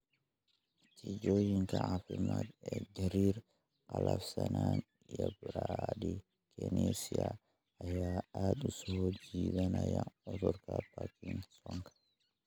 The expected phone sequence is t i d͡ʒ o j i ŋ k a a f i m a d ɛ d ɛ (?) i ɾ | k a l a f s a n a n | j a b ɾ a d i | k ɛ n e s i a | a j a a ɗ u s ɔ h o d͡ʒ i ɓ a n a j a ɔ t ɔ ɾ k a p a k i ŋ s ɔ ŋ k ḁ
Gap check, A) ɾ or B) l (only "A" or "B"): A